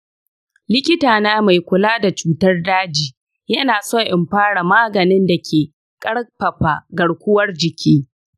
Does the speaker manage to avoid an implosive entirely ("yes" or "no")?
yes